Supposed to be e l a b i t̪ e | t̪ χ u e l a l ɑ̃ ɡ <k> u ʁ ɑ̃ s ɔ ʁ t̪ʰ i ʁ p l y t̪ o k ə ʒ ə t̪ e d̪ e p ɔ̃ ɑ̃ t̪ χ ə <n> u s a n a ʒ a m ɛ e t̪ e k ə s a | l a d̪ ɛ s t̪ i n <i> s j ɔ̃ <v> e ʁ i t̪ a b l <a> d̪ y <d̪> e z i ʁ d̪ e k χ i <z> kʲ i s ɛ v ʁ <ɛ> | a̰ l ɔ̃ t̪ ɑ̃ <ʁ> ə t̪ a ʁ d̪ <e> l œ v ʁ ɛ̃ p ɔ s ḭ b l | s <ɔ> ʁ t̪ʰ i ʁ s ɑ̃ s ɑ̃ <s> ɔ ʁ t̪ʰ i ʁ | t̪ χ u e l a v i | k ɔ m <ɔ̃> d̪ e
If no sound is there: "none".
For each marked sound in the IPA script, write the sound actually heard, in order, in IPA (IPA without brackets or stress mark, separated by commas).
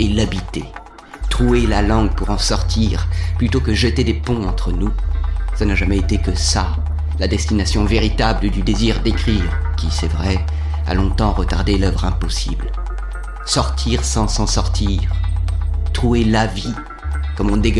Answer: p, n, a, v, ə, d̪, ʁ, ɛ, ʁ, e, ɔ, s, ɔ̃